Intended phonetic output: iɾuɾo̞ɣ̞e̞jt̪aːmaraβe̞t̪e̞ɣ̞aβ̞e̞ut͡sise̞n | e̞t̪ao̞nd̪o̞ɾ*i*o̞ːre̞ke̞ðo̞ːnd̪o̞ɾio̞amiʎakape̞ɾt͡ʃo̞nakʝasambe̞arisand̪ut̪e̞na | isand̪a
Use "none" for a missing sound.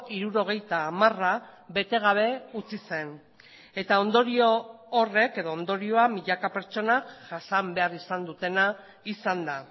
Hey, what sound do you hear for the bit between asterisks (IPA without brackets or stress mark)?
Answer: i